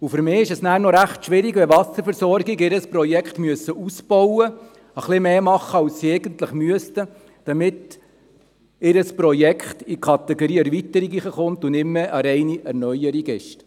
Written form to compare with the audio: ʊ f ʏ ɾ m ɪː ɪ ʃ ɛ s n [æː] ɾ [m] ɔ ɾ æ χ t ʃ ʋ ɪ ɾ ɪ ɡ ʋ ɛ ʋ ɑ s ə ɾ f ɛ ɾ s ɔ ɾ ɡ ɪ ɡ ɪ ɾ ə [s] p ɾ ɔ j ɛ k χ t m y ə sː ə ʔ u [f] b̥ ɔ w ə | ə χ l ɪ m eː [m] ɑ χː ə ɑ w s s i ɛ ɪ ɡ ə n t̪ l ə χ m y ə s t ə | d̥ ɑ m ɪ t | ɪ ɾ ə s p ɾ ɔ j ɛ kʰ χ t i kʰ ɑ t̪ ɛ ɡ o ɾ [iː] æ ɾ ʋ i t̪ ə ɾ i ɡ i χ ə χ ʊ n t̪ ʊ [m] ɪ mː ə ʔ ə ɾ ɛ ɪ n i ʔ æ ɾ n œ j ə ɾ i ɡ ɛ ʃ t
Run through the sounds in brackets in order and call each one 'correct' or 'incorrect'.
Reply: correct, incorrect: n, correct, incorrect: s, correct, correct, incorrect: n

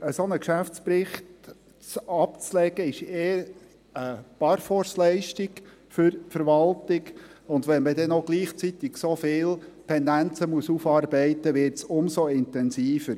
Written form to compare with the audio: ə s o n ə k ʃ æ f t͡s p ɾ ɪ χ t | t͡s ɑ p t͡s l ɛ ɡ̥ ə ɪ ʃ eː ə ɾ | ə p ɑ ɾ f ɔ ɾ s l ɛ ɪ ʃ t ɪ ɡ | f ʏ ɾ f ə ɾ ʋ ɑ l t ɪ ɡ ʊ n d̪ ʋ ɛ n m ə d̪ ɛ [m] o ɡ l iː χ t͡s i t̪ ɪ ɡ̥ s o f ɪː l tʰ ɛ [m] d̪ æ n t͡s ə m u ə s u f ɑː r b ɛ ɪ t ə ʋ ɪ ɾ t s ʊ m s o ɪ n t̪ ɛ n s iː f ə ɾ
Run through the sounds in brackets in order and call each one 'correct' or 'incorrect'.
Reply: incorrect: n, incorrect: n

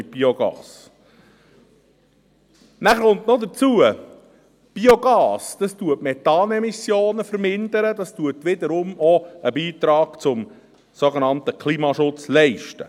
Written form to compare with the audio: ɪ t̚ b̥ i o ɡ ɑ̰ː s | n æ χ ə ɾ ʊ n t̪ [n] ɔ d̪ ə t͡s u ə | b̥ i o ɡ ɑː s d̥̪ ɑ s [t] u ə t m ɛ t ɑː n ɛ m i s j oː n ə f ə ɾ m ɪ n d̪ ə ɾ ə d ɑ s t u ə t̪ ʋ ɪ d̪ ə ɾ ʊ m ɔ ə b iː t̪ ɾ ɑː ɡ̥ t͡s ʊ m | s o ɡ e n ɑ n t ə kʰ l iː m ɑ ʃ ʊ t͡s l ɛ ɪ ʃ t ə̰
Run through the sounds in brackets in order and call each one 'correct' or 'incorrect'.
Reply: correct, correct

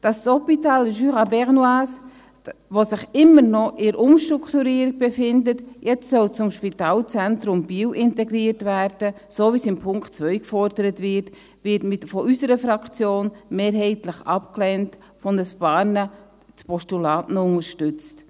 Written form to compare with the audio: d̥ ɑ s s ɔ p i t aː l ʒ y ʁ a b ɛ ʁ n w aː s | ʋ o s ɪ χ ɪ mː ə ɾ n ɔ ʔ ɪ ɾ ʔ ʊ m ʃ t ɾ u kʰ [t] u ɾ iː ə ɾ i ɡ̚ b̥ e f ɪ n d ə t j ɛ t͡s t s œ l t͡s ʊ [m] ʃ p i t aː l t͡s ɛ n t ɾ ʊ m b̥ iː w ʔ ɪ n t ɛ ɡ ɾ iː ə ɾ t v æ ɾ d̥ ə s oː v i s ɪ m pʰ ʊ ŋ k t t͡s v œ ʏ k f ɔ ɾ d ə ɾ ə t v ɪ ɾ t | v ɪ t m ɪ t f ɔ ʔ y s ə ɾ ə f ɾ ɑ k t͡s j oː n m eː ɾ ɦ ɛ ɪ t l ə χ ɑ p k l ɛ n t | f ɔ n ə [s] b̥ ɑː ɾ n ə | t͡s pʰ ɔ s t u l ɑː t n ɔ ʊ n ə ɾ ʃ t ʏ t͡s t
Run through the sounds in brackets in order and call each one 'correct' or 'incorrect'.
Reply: correct, correct, correct

